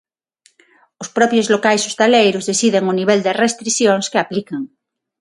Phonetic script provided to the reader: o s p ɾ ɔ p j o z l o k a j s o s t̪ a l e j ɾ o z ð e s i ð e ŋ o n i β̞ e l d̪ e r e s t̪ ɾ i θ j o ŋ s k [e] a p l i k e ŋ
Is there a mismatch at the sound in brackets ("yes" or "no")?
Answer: no